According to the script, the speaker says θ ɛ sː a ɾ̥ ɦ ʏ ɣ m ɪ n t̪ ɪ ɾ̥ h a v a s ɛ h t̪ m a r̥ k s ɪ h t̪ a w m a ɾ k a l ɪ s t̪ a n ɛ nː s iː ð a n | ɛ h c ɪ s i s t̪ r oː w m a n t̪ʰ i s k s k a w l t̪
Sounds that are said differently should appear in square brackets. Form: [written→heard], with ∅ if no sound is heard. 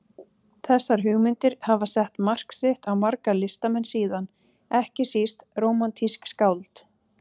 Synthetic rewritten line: θ ɛ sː a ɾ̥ ɦ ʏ ɣ m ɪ n t̪ ɪ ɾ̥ h a v a s ɛ h t̪ m a r̥ k s ɪ h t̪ a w m a ɾ k a l ɪ s t̪ a [n→m] ɛ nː s iː ð a n | ɛ h c ɪ s i s t̪ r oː w m a n t̪ʰ i s k s k a w l t̪